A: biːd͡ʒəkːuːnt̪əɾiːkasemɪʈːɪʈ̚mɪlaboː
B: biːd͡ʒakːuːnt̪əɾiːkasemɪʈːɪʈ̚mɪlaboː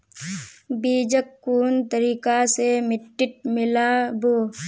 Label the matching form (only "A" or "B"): A